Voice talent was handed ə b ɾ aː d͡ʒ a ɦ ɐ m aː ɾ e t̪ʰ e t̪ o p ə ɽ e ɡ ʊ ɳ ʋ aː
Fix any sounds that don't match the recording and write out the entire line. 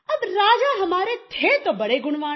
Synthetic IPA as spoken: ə b ɾ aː d͡ʒ a ɦ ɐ m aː ɾ e t̪ʰ e t̪ o b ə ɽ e ɡ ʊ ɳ ʋ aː

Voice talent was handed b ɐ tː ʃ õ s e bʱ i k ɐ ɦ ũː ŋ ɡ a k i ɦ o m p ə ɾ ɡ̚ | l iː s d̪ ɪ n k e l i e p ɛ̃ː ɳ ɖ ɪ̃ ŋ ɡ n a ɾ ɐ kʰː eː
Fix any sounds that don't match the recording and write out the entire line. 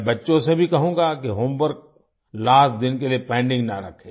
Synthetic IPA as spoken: b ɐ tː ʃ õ s e bʱ i k ɐ ɦ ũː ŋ ɡ a k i ɦ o m b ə ɾ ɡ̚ | l aː s d̪ ɪ n k e l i e p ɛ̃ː ɳ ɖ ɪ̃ ŋ ɡ n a ɾ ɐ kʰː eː

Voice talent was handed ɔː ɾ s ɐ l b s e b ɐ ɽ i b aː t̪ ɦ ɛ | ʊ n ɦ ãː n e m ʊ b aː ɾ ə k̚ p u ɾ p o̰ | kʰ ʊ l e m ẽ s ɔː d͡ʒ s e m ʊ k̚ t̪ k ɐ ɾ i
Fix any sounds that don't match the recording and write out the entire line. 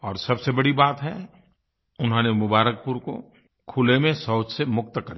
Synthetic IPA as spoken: ɔː ɾ s ɐ b s e b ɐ ɽ i b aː t̪ ɦ ɛ | ʊ n ɦ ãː n e m ʊ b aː ɾ ə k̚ p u ɾ k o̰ | kʰ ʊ l e m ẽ s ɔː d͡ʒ s e m ʊ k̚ t̪ k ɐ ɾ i

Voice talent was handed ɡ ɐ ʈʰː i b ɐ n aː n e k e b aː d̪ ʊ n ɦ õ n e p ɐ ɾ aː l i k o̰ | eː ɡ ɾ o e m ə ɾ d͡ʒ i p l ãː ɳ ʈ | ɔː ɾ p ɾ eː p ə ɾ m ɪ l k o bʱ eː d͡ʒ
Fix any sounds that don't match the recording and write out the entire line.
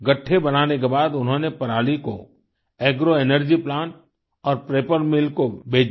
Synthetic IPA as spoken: ɡ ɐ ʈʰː e b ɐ n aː n e k e b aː d̪ ʊ n ɦ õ n e p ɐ ɾ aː l i k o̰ | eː ɡ ɾ o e n ə ɾ d͡ʒ i p l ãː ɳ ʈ | ɔː ɾ p ɾ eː p ə ɾ m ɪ l k o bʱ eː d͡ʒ

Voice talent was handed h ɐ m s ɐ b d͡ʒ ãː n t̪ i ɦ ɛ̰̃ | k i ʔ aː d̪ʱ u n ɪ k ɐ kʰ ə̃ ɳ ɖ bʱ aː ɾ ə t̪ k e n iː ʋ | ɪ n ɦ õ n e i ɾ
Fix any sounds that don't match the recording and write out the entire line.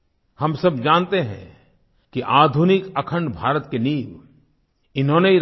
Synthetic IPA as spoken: h ɐ m s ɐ b d͡ʒ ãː n t̪ e ɦ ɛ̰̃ | k i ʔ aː d̪ʱ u n ɪ k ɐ kʰ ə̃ ɳ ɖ bʱ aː ɾ ə t̪ k e n iː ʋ | ɪ n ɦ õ n e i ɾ

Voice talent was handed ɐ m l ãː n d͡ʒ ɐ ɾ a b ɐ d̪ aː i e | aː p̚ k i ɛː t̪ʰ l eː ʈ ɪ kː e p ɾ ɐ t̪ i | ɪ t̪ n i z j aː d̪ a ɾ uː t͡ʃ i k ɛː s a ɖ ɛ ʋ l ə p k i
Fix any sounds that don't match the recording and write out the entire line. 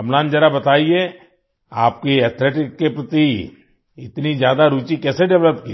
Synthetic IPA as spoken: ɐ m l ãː n d͡ʒ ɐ ɾ a b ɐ t̪ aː i e | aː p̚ k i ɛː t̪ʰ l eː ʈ ɪ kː e p ɾ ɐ t̪ i | ɪ t̪ n i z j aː d̪ a ɾ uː t͡ʃ i k ɛː s e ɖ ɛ ʋ l ə p k i

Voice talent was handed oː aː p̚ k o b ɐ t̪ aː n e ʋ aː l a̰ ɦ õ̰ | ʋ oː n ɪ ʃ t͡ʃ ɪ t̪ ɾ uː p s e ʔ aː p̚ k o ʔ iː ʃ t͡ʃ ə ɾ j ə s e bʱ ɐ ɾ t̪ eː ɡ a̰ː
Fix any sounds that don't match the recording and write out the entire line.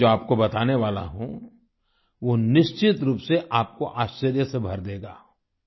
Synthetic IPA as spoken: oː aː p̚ k o b ɐ t̪ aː n e ʋ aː l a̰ ɦ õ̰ | ʋ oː n ɪ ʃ t͡ʃ ɪ t̪ ɾ uː p s e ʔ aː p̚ k o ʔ aː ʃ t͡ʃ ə ɾ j ə s e bʱ ɐ ɾ d̪ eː ɡ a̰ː

